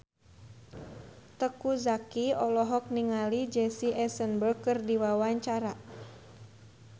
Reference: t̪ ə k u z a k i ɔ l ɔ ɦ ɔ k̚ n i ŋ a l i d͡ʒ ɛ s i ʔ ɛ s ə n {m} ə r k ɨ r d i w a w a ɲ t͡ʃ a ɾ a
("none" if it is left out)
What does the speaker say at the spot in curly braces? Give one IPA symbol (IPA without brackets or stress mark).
b